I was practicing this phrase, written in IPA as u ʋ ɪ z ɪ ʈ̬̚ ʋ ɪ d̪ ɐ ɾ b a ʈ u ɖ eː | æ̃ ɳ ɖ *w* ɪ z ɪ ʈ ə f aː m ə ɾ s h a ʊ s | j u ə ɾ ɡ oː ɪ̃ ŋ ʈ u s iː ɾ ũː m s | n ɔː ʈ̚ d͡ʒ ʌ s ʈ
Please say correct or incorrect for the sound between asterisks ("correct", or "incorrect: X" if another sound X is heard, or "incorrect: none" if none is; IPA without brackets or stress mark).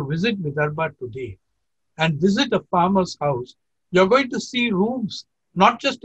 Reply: incorrect: ʋ